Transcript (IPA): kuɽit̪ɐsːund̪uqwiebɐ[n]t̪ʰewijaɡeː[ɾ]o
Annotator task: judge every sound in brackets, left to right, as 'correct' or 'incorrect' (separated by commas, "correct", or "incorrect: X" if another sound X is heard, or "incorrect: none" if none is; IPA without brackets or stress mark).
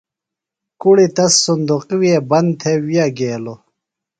correct, incorrect: l